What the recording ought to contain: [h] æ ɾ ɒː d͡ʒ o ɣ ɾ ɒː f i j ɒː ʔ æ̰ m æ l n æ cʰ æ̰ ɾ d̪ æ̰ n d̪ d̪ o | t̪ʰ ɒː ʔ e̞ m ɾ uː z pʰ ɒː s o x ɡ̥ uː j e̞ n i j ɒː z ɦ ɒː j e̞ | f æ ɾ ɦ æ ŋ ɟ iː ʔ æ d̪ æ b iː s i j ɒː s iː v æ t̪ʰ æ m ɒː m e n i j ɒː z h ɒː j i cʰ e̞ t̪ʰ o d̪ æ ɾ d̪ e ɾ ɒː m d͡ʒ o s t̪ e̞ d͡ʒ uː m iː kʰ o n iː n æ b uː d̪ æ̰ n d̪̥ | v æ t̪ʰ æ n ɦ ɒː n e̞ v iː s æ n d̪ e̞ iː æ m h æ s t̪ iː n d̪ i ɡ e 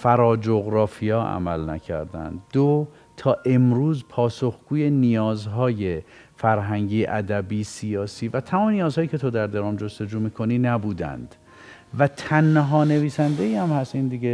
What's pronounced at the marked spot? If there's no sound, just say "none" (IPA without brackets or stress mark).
f